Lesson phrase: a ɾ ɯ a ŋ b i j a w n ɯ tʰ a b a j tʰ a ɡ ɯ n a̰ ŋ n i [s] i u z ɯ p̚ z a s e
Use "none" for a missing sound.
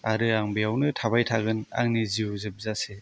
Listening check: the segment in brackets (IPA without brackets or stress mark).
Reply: z